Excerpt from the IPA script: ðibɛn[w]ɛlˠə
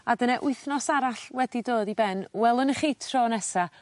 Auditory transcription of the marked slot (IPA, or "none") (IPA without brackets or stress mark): w